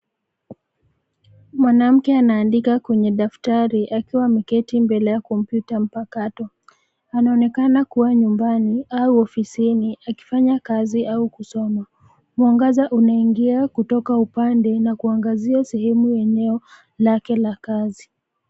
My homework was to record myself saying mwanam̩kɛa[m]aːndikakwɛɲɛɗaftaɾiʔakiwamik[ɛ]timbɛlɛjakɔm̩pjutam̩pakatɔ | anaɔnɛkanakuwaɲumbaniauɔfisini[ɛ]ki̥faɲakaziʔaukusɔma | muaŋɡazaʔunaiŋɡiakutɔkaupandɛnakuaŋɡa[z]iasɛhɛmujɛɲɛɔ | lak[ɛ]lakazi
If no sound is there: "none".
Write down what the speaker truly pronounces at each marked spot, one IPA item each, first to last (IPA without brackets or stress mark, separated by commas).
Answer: n, ɛ, a, z, ɛ